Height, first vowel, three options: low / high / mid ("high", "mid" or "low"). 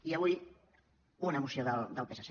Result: high